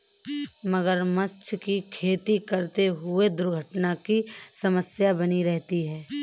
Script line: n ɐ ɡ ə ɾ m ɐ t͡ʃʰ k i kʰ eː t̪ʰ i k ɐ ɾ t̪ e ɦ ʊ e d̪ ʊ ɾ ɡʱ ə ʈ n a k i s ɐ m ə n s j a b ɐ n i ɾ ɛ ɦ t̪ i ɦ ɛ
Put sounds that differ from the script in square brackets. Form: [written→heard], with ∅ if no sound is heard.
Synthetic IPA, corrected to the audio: [n→m] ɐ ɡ ə ɾ m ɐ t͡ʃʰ k i kʰ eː [t̪ʰ→t̪] i k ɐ ɾ t̪ e ɦ ʊ e d̪ ʊ ɾ ɡʱ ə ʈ n a k i s ɐ m ə [n→∅] s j a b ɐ n i ɾ ɛ ɦ t̪ i ɦ [ɛ→ɛː]